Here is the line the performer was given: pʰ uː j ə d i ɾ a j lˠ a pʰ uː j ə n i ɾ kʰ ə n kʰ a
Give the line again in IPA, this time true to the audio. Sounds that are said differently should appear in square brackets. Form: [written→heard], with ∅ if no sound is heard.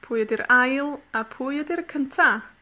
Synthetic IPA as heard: pʰ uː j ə d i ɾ a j lˠ a pʰ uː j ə [n→d] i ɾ kʰ ə n [kʰ→tʰ] a